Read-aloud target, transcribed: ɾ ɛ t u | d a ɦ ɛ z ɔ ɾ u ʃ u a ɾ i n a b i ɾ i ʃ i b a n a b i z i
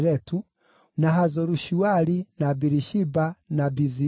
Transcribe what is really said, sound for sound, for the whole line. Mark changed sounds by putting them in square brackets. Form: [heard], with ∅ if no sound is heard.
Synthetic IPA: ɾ ɛ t u | [n] a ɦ [a] z ɔ ɾ u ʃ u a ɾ i n a b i ɾ i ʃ i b a n a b i z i